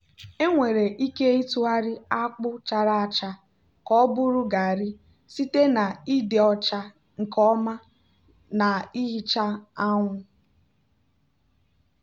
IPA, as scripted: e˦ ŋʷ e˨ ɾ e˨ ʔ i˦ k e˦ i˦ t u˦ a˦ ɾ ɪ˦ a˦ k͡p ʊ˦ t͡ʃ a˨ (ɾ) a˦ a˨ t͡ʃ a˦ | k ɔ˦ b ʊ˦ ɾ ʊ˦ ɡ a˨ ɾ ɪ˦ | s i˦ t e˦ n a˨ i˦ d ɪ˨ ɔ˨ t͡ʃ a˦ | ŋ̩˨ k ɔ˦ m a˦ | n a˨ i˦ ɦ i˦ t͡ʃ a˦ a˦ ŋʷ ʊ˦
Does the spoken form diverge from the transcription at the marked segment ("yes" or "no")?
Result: no